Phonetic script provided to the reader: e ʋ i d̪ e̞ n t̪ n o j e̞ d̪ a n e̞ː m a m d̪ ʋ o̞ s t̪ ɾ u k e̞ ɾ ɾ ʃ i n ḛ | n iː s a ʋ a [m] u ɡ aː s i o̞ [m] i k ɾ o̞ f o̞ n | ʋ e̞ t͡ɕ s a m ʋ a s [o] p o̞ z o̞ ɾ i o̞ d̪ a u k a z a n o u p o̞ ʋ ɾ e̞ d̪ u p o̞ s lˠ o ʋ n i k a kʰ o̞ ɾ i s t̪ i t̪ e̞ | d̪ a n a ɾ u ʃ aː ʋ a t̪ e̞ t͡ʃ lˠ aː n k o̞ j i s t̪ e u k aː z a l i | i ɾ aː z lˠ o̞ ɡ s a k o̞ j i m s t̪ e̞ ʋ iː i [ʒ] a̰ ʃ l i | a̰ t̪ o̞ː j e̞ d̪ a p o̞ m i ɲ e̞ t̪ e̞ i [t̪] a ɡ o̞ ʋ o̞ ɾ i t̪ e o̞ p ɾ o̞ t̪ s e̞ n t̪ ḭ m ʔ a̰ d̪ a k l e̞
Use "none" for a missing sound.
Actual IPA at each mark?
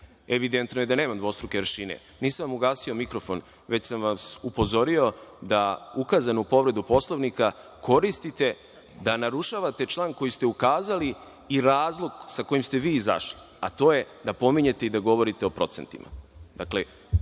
m, m, u, z, d̪

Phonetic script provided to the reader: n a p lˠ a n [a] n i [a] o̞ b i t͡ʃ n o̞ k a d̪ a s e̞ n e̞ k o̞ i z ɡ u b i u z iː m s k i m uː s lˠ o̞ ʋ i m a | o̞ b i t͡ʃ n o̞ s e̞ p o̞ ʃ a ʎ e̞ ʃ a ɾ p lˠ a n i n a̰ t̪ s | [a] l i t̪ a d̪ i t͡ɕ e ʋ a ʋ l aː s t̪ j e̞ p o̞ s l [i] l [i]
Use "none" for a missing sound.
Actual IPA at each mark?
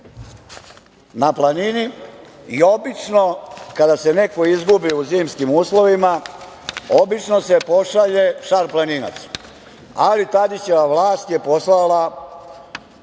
i, i, a, a, a

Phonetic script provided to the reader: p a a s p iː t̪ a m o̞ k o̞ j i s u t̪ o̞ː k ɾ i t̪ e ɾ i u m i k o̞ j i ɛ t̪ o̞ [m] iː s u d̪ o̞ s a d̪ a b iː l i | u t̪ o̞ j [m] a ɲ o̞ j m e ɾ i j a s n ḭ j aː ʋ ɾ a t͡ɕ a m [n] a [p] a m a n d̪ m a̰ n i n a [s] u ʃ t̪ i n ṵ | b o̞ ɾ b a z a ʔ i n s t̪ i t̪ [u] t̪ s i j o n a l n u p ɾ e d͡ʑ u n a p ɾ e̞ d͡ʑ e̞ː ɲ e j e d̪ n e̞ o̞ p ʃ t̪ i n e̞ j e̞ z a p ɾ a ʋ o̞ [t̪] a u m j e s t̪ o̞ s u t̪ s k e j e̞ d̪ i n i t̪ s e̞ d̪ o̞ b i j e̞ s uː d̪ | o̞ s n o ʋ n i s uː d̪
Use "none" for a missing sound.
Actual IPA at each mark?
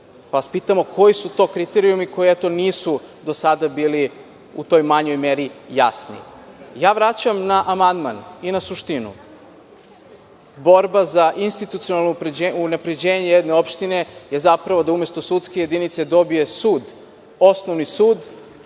n, m, n, ʔ, s, u, d̪

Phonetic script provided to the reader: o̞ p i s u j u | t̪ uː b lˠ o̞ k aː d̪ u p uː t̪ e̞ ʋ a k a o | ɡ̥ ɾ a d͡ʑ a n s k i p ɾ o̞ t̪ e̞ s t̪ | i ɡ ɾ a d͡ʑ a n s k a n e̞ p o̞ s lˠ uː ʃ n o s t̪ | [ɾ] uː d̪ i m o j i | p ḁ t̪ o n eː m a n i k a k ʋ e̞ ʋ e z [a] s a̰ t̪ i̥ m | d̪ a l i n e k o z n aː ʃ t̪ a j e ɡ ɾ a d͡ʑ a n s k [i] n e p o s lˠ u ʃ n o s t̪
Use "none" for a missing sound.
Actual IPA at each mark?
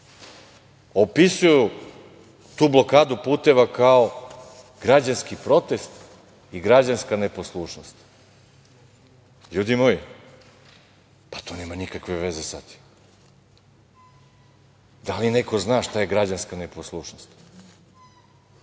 ʎ, e, a

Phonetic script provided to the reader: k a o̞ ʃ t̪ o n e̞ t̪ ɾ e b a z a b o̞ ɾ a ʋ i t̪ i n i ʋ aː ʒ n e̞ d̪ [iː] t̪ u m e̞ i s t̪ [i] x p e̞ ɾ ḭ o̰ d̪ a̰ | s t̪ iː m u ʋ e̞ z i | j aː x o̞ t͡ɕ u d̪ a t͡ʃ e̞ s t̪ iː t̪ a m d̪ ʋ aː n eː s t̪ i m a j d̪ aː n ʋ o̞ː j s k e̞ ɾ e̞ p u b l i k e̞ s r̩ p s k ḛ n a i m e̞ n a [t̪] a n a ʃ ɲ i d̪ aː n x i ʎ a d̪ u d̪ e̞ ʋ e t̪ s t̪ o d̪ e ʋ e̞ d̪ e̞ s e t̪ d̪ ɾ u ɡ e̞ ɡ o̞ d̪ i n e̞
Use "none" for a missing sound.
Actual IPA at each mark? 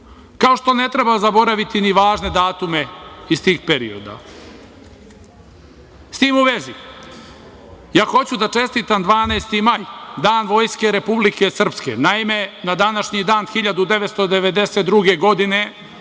aː, iː, d̪

